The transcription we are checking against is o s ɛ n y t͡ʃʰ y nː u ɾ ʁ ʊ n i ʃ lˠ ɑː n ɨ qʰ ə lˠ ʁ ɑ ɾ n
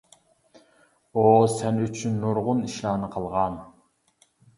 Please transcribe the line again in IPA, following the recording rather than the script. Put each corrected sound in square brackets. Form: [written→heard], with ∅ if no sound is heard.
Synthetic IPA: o s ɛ n y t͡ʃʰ y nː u ɾ ʁ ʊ n i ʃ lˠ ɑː n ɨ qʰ ə lˠ ʁ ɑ [ɾ→∅] n